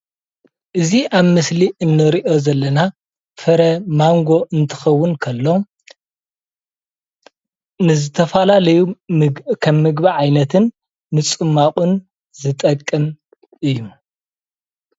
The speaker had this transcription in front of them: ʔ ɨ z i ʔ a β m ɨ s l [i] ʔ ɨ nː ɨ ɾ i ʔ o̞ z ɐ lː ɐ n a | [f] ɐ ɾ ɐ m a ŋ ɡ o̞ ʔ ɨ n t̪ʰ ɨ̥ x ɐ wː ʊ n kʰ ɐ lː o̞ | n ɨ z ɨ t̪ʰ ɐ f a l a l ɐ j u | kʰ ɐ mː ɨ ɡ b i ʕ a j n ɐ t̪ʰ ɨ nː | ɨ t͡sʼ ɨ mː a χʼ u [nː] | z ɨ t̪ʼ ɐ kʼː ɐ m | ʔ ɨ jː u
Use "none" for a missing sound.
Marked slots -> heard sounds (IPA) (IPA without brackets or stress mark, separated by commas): i, f, n